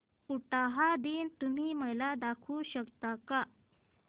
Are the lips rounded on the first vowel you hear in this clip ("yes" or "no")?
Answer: yes